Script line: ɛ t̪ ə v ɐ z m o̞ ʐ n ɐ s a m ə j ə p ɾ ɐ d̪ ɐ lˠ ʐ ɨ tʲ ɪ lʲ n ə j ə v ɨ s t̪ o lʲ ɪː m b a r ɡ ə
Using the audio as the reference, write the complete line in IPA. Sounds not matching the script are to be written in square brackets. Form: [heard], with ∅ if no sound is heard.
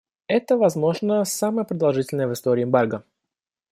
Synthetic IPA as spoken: ɛ t̪ ə v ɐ z m o̞ ʐ n [ə] s a m ə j ə p ɾ [ə] d̪ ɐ lˠ ʐ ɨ tʲ ɪ lʲ n ə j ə v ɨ s t̪ o [ɾʲ] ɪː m b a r ɡ ə